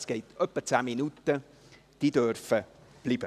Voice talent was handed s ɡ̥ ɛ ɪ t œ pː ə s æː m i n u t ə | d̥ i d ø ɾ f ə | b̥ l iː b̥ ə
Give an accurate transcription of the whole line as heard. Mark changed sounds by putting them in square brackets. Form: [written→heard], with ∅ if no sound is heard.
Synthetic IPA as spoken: s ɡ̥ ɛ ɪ t œ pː ə [s→t͡s] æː m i n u t ə | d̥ i d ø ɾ f ə | b̥ l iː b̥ ə